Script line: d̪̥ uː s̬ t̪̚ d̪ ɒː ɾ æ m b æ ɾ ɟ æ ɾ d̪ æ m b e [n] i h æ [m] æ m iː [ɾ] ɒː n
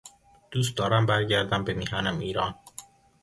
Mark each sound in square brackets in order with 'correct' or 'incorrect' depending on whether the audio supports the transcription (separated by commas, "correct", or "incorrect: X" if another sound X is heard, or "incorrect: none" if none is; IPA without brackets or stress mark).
incorrect: m, incorrect: n, correct